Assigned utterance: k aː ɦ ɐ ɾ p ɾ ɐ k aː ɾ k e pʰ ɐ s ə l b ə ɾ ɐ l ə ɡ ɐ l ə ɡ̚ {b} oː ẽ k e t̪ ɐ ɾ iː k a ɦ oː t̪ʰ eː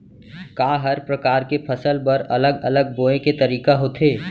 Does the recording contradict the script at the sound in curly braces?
no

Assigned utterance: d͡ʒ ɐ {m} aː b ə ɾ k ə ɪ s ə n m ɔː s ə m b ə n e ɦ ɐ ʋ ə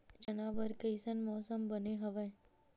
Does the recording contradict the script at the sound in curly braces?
yes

